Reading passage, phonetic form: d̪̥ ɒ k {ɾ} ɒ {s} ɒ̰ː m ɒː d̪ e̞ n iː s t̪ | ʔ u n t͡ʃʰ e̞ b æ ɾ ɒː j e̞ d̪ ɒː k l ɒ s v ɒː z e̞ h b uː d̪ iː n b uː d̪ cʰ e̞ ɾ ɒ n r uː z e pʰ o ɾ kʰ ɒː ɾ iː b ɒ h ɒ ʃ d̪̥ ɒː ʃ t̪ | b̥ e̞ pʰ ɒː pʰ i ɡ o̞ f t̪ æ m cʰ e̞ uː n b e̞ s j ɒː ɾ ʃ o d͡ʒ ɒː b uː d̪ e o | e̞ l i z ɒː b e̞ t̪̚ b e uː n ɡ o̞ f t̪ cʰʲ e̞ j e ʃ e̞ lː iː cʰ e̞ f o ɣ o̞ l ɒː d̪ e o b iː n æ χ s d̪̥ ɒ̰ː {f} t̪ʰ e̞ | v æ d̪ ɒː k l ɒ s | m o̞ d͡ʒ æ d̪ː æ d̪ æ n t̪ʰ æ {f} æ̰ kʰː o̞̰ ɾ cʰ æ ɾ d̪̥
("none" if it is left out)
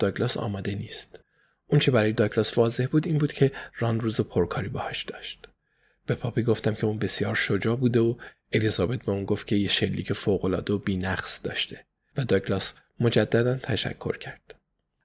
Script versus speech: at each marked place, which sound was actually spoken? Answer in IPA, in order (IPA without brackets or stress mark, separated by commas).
l, s, ʃ, ʃ